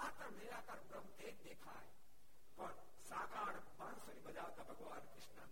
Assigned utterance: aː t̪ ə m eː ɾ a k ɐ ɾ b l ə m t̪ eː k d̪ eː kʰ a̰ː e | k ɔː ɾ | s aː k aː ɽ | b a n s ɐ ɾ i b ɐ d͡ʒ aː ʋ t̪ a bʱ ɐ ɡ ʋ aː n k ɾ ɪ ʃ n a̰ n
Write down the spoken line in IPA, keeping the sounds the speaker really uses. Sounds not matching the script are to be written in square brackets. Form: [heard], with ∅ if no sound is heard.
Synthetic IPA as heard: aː t̪ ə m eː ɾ a k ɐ ɾ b [ɾ] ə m t̪ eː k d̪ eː kʰ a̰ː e | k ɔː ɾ | s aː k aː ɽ | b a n s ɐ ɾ i b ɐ d͡ʒ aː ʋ t̪ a bʱ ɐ ɡ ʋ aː n k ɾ ɪ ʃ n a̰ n